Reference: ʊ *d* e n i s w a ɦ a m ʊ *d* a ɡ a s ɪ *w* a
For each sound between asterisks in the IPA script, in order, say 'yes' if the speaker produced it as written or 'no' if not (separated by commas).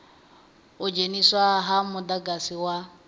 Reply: no, yes, yes